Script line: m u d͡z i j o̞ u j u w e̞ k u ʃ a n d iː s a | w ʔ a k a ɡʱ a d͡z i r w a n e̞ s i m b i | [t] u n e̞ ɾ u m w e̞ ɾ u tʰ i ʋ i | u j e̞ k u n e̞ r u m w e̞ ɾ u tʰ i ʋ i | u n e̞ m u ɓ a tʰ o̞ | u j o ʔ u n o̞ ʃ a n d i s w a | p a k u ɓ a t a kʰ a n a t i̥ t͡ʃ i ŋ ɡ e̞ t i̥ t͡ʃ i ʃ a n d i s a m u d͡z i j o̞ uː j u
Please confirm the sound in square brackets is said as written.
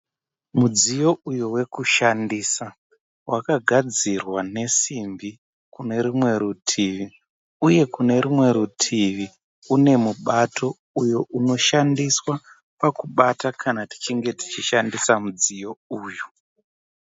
no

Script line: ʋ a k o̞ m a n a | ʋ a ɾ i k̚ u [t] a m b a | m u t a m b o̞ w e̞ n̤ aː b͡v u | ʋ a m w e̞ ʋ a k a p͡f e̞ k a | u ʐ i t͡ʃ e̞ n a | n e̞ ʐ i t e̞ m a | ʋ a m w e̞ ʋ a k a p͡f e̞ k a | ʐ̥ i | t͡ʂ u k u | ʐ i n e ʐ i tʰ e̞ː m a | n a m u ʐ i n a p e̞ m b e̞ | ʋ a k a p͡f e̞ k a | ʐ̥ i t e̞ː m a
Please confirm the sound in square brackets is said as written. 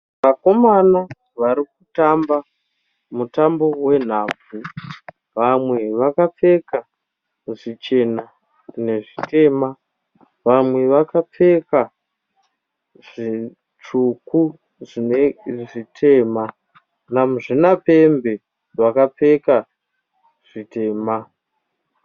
yes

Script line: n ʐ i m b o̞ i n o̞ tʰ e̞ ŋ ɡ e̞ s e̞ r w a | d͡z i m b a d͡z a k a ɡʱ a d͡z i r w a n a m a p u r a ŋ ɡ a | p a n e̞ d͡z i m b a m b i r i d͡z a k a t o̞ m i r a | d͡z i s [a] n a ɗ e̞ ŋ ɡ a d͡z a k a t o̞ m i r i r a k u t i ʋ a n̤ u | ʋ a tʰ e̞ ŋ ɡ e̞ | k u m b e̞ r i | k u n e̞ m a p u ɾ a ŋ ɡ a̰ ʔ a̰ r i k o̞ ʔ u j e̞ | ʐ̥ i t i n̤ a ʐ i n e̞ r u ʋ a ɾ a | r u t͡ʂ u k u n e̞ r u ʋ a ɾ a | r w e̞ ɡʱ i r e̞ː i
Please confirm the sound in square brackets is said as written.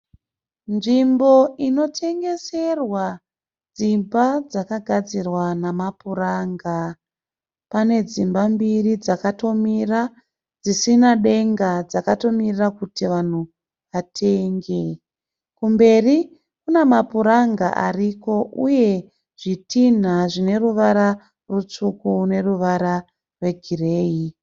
no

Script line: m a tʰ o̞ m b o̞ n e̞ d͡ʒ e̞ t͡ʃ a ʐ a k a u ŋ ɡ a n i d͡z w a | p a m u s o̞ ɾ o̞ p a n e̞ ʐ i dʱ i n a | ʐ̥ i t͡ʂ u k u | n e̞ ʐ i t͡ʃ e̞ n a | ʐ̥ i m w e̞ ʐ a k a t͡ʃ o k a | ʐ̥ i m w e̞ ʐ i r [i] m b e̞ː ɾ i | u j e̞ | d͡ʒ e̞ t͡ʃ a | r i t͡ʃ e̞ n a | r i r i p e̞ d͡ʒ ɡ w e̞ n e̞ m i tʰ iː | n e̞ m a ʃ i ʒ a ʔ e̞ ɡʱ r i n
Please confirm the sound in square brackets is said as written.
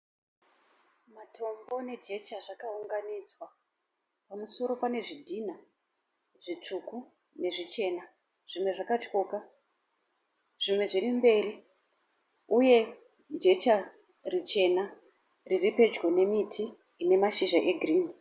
yes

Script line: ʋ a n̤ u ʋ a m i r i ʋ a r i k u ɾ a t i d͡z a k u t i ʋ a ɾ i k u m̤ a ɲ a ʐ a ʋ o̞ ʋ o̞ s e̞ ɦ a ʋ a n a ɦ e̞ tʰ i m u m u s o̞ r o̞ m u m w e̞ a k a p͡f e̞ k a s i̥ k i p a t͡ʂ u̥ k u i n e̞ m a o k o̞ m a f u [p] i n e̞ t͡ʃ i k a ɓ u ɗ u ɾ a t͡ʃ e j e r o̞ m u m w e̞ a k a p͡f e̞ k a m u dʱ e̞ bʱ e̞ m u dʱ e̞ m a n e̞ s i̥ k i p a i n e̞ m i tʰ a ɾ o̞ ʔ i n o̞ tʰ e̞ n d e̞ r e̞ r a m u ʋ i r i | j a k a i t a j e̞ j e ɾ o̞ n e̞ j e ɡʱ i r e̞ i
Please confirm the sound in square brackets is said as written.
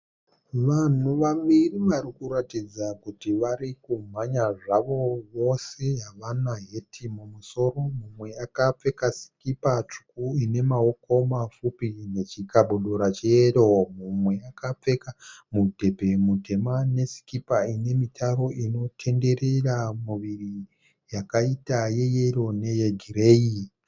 yes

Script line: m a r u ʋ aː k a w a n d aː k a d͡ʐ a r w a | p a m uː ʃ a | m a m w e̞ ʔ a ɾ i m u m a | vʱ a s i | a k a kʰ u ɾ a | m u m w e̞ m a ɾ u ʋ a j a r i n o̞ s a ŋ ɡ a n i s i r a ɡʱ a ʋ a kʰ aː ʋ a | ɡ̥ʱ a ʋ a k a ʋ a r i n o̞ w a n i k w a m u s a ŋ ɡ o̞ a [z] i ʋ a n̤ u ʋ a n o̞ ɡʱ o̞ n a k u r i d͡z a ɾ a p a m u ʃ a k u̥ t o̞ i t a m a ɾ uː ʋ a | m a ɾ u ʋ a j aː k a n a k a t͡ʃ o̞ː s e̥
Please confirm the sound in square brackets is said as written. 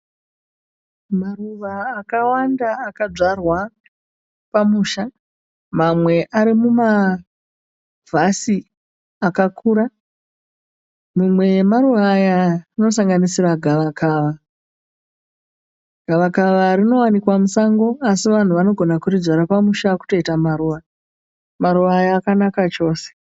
no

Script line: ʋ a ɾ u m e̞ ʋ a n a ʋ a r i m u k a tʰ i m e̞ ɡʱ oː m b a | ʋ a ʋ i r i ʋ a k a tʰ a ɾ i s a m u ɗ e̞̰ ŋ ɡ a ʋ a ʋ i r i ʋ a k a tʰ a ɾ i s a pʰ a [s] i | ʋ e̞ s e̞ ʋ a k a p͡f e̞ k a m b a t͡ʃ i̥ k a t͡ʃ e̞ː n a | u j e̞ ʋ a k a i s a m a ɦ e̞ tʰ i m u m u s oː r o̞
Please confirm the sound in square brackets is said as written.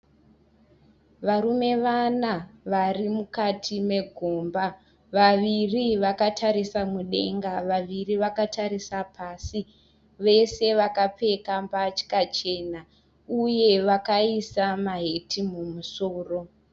yes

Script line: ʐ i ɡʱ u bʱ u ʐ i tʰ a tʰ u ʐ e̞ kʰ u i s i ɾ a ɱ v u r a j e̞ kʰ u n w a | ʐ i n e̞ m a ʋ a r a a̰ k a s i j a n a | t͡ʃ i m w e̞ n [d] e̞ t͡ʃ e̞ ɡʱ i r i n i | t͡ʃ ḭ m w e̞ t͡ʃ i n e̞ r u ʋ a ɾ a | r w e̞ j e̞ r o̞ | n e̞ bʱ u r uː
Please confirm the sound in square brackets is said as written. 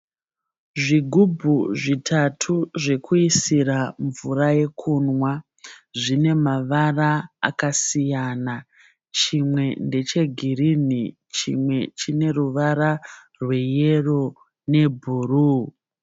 yes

